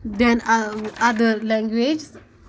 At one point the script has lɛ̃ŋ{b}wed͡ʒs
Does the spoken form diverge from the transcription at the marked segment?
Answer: yes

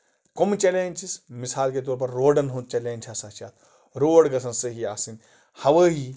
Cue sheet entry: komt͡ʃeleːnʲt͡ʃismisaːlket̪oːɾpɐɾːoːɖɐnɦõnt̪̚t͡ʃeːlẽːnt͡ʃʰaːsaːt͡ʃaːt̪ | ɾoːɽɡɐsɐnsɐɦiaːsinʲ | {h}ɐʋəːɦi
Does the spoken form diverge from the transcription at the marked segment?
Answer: no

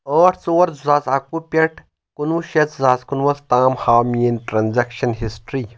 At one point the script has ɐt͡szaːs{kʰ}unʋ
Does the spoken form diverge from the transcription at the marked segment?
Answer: yes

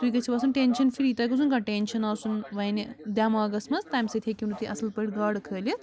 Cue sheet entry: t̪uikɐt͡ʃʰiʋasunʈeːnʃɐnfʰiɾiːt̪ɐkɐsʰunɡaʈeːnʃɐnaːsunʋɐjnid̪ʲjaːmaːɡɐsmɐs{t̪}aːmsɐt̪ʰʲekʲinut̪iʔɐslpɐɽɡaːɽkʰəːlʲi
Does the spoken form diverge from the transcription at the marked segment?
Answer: no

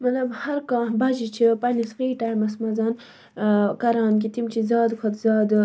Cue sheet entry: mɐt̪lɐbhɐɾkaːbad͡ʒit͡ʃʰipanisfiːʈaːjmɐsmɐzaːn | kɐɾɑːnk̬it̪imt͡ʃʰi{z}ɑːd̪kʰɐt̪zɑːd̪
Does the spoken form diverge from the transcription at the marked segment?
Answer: no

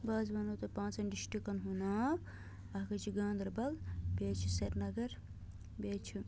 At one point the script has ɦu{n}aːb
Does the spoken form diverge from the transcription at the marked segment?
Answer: no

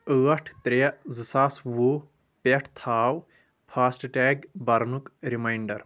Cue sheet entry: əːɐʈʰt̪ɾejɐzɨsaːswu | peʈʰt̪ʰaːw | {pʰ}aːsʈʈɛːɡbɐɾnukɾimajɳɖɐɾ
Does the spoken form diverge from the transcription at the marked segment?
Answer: no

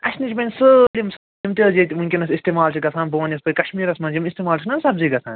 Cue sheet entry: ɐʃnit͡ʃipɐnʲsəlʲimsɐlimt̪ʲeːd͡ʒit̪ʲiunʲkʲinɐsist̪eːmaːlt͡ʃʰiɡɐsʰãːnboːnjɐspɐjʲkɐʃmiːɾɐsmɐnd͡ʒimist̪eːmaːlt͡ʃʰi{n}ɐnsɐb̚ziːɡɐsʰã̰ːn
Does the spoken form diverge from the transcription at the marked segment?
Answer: no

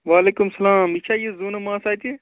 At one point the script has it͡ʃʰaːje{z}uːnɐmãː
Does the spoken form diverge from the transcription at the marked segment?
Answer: no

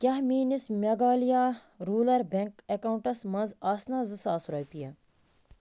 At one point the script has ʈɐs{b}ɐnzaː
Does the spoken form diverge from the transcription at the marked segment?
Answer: yes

